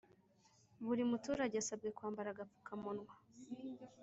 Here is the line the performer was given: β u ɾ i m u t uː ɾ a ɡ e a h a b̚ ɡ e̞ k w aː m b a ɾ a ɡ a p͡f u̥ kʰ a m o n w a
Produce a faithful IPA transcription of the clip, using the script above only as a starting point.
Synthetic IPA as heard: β u ɾ i m u t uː ɾ a ɟ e a s a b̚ ɡ e̞ k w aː m b a ɾ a ɡ a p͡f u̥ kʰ a m o n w a